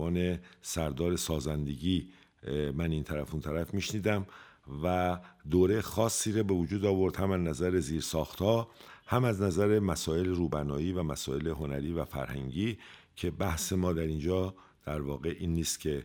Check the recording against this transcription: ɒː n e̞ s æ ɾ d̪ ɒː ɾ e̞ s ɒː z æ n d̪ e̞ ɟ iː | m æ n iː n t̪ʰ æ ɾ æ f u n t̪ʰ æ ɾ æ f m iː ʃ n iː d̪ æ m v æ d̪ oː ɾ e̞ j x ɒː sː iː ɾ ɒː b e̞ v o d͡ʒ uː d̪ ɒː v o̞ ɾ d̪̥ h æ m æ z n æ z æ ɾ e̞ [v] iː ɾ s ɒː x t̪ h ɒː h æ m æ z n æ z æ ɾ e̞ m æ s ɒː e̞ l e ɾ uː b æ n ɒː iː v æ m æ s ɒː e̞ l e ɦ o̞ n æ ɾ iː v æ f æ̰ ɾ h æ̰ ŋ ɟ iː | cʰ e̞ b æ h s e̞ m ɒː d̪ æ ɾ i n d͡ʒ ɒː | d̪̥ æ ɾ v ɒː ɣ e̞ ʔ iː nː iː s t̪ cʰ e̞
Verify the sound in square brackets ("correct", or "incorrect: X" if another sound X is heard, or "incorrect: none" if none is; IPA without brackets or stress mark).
incorrect: z